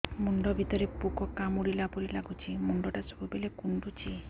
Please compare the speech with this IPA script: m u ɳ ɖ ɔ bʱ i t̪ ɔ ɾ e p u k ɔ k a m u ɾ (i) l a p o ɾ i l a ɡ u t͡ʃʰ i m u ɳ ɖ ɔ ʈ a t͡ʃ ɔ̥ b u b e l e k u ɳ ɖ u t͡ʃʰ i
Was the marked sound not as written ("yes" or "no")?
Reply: no